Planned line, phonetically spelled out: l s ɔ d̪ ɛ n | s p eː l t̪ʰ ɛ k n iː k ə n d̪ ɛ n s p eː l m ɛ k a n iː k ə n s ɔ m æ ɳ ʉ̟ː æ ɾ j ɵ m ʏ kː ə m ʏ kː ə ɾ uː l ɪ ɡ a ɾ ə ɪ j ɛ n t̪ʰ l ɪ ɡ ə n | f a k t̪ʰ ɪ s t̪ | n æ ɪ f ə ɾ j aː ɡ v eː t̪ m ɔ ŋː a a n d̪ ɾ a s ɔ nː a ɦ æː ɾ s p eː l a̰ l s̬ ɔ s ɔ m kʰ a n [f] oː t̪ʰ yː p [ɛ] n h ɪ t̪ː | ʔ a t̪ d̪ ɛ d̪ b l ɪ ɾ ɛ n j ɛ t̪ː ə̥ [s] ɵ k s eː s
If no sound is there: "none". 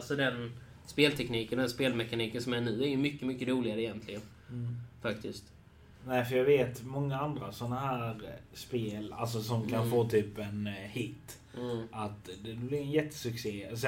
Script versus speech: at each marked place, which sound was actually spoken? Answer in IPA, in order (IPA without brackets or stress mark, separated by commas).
f, ɛ, s